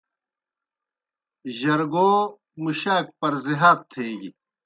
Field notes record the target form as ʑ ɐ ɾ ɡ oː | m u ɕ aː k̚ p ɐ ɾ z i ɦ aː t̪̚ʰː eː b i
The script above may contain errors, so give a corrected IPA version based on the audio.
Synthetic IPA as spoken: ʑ ɐ ɾ ɡ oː | m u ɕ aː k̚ p ɐ ɾ z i ɦ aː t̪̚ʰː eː ɡ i